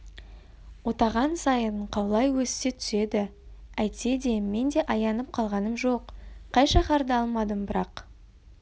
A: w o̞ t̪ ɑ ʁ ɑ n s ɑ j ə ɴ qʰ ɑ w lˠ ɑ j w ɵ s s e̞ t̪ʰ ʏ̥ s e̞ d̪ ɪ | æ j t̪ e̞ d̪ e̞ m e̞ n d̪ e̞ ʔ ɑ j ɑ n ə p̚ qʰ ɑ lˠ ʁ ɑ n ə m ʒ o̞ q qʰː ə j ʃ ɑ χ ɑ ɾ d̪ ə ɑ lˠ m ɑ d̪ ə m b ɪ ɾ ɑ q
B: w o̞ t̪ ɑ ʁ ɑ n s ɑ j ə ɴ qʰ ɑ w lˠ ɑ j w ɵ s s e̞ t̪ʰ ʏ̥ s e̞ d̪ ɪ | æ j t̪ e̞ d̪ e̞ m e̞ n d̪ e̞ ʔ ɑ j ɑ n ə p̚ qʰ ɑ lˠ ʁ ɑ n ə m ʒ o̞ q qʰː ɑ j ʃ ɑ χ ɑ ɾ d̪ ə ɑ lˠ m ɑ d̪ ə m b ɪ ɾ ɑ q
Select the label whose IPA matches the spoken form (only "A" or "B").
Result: B